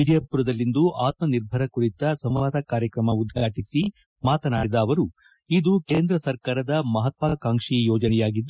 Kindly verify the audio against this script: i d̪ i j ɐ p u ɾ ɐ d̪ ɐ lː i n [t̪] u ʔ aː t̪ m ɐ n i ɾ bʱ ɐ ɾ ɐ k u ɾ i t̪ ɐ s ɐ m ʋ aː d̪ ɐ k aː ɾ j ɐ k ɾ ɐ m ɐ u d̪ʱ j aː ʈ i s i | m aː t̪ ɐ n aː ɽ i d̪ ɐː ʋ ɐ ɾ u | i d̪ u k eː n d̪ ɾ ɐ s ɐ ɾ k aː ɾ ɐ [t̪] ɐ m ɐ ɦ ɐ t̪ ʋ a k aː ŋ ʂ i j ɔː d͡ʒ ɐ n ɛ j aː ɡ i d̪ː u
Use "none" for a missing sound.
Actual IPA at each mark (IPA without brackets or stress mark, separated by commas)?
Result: d̪, d̪